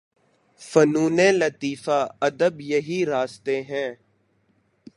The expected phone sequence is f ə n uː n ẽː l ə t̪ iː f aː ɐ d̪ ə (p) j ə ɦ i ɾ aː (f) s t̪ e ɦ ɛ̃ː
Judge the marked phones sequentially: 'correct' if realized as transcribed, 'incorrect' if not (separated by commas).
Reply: incorrect, incorrect